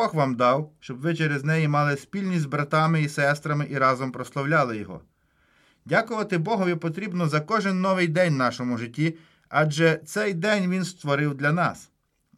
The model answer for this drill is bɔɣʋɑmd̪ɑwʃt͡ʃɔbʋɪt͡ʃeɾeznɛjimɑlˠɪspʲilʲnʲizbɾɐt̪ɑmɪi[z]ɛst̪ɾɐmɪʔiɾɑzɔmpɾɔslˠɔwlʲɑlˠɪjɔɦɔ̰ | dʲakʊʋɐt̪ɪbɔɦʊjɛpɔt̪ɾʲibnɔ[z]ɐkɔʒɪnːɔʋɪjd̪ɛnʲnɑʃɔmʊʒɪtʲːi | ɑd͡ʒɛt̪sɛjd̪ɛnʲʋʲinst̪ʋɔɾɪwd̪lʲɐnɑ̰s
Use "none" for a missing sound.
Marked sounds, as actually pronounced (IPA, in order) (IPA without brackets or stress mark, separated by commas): s, z